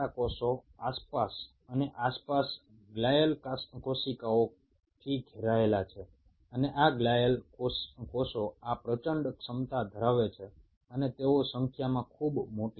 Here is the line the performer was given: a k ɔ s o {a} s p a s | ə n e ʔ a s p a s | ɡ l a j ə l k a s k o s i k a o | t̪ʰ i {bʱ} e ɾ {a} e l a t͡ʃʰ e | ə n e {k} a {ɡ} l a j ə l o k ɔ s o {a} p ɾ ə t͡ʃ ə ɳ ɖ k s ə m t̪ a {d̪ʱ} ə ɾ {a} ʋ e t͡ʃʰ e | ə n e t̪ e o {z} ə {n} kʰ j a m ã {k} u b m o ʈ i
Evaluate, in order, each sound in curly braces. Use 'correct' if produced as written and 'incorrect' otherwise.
correct, incorrect, correct, incorrect, correct, correct, correct, correct, incorrect, incorrect, incorrect

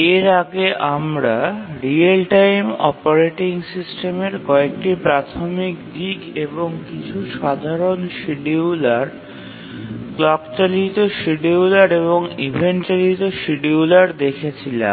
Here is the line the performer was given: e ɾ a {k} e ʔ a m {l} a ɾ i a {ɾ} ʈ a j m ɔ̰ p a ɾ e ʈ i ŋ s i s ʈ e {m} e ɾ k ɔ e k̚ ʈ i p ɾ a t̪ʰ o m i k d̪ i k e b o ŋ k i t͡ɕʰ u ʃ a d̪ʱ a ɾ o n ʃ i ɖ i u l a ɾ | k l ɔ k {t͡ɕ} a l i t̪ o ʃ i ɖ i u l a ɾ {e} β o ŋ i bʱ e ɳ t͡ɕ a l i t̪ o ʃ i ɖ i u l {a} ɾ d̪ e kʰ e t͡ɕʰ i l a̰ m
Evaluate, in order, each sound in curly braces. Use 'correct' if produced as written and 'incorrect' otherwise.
incorrect, incorrect, incorrect, correct, correct, correct, correct

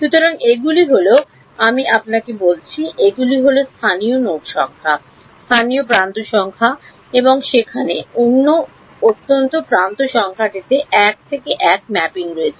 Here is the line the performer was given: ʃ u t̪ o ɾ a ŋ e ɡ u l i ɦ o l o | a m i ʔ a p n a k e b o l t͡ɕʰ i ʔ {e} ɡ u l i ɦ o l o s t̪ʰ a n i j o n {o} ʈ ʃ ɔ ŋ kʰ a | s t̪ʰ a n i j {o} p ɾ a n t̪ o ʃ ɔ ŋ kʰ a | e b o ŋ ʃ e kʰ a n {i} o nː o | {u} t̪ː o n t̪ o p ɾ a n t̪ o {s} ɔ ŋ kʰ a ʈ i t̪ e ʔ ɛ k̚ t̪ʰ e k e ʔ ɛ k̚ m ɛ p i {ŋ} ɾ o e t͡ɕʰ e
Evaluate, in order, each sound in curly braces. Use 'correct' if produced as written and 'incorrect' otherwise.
correct, correct, correct, incorrect, incorrect, incorrect, correct

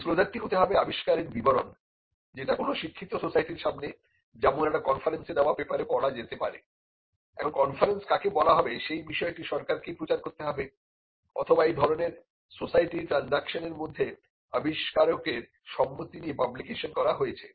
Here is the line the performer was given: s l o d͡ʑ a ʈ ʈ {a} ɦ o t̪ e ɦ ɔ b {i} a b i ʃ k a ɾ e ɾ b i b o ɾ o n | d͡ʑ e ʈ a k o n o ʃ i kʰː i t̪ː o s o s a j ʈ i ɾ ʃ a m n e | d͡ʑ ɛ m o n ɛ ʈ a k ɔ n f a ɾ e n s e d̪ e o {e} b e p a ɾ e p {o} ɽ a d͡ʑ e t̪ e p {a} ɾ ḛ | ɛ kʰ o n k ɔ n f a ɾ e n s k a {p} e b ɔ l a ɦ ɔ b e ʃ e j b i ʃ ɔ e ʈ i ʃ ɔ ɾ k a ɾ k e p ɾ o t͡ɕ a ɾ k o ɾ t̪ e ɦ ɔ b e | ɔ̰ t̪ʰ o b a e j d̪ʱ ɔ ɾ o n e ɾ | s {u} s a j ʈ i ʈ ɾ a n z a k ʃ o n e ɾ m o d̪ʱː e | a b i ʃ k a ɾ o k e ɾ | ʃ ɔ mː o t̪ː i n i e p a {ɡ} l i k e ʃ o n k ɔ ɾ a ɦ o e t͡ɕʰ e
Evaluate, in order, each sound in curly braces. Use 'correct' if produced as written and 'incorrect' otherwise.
incorrect, incorrect, incorrect, incorrect, correct, incorrect, incorrect, incorrect

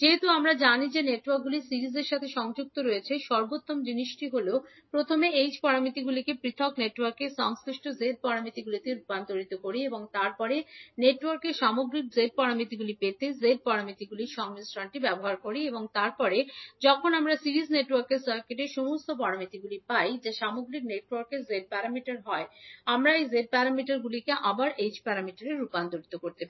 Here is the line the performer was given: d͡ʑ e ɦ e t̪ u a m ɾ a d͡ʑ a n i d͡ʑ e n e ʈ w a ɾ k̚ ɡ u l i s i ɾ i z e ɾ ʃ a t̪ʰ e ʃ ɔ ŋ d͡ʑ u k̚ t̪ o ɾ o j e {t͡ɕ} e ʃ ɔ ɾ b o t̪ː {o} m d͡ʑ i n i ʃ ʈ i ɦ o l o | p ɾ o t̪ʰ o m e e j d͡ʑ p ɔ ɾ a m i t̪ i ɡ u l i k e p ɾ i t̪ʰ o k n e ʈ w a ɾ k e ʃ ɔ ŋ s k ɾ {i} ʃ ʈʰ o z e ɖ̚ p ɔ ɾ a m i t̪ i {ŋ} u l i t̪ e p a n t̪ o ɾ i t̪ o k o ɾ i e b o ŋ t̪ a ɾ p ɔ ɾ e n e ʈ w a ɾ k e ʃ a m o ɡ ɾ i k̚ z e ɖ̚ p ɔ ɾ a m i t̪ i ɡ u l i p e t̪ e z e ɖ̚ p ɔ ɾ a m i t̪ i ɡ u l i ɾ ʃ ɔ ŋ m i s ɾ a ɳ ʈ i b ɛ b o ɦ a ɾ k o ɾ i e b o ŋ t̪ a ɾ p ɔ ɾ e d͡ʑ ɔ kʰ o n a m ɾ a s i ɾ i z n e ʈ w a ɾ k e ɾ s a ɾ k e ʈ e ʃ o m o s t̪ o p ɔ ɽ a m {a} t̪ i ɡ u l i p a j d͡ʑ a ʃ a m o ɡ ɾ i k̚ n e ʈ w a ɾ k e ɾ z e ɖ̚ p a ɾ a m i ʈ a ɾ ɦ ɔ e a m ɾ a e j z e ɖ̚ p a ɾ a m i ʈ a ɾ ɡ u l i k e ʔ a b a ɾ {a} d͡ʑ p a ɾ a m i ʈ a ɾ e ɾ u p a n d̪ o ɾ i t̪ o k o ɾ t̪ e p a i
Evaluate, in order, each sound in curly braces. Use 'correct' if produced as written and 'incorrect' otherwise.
incorrect, correct, correct, incorrect, incorrect, incorrect

